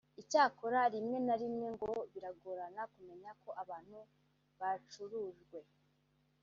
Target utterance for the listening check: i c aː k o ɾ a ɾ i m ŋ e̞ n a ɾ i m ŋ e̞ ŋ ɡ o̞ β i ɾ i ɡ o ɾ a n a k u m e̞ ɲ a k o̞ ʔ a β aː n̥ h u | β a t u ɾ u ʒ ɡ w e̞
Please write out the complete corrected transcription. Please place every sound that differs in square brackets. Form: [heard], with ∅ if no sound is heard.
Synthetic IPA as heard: i c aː k o ɾ a ɾ i m ŋ e̞ n a ɾ i m ŋ e̞ ŋ ɡ o̞ β i ɾ [a] ɡ o ɾ a n a k u m e̞ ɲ a k o̞ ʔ a β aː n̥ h u | β a [t͡ʃ] u ɾ u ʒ ɡ w e̞